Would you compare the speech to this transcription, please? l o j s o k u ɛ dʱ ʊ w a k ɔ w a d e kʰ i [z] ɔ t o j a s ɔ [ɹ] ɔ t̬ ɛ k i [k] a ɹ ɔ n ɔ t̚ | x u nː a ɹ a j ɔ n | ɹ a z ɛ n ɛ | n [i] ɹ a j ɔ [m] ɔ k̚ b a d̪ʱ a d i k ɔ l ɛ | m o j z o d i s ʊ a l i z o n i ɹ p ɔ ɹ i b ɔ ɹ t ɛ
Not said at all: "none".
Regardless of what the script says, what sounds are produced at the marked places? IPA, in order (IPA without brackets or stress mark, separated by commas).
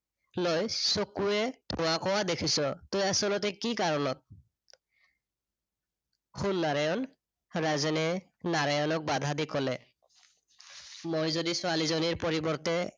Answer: s, l, k, a, n